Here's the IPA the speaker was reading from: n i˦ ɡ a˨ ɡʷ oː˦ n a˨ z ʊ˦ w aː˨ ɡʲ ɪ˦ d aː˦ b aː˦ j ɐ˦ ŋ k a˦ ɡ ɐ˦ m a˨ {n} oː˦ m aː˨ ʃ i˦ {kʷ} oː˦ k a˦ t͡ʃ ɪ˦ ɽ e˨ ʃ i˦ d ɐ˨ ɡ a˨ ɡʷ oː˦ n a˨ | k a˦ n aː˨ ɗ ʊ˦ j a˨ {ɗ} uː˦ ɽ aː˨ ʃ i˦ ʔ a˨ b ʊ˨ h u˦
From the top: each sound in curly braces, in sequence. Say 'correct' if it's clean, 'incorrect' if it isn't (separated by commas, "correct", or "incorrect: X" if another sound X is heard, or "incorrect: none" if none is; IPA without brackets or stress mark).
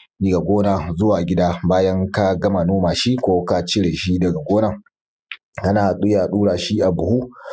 correct, correct, correct